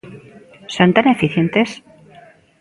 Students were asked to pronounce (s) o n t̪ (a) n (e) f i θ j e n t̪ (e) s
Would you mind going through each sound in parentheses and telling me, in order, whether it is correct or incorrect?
correct, correct, correct, correct

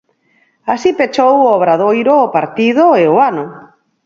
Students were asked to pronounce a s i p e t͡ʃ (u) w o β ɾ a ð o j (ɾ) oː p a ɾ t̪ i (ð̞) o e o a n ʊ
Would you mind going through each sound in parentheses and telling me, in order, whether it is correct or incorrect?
incorrect, correct, correct

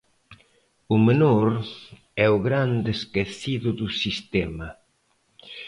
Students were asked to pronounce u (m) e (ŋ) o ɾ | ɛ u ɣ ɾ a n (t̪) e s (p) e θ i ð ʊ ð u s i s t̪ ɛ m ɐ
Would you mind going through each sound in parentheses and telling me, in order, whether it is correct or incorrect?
correct, incorrect, incorrect, incorrect

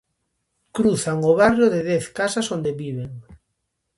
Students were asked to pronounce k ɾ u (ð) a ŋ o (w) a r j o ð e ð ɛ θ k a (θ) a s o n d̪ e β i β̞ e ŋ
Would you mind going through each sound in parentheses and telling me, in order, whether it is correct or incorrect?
incorrect, incorrect, incorrect

